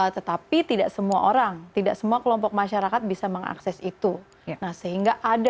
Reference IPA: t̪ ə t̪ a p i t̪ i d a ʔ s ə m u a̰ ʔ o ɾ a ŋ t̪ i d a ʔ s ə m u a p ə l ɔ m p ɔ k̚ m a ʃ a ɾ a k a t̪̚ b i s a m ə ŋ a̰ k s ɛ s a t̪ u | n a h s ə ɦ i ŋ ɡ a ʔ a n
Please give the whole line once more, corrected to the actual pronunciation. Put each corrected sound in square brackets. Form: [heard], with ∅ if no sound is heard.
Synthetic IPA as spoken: t̪ ə t̪ a p i t̪ i d a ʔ s ə m u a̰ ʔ o ɾ a ŋ t̪ i d a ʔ s ə m u a [k] ə l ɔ m p ɔ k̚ m a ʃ a ɾ a k a t̪̚ b i s a m ə ŋ a̰ k s ɛ s [i] t̪ u | n a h s ə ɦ i ŋ ɡ a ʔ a [d]